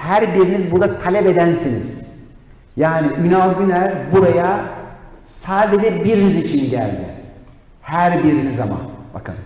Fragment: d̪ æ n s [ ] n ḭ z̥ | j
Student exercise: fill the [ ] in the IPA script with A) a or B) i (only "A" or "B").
B